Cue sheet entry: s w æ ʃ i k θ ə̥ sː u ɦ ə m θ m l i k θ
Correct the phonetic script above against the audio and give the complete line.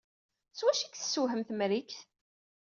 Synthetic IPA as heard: s w æ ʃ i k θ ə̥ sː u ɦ ə m θ m ɾ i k θ